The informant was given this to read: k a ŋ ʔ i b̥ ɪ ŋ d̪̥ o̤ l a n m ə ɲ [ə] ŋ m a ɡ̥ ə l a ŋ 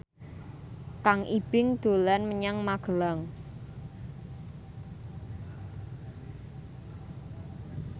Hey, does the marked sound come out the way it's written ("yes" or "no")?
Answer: no